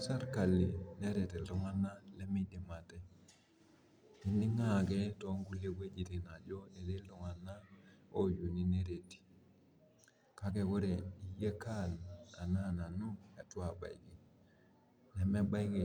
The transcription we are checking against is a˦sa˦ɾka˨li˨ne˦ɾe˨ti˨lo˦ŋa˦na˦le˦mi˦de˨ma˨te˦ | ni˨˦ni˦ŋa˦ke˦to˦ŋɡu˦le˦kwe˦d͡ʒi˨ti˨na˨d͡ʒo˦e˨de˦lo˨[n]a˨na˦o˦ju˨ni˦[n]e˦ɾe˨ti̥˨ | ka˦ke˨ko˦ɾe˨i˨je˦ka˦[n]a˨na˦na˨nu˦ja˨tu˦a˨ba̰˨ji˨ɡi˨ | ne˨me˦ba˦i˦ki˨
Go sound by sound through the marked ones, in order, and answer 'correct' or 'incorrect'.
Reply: incorrect: ŋ, correct, correct

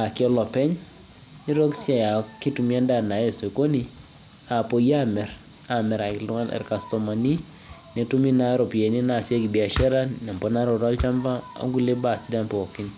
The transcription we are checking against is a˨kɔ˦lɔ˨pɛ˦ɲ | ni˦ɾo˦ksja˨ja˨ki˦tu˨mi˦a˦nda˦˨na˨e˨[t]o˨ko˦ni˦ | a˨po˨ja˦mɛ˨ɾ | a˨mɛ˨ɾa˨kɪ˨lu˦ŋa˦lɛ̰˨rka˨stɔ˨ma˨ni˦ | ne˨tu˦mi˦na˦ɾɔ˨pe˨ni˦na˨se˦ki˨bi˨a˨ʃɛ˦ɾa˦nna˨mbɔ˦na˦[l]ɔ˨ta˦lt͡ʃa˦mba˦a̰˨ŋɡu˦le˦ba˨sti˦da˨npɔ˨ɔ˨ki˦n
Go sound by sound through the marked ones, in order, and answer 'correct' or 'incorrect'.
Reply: incorrect: s, incorrect: ɾ

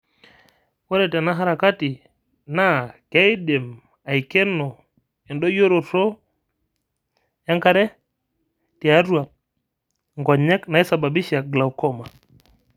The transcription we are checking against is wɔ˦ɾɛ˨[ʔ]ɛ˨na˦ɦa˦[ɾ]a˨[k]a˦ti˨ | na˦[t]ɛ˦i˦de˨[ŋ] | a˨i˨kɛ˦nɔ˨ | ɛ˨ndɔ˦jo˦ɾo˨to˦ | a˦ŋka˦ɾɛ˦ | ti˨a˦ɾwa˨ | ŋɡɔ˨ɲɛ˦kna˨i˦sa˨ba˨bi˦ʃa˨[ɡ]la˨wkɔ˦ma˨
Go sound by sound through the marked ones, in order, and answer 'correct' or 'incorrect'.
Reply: incorrect: t, correct, correct, incorrect: k, incorrect: m, correct

